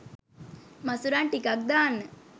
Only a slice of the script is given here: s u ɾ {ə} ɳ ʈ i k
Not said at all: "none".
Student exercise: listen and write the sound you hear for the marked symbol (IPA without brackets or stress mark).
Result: a